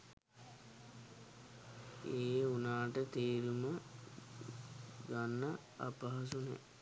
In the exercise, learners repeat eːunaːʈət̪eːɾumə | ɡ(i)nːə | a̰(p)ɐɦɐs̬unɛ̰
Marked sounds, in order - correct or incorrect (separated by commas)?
incorrect, correct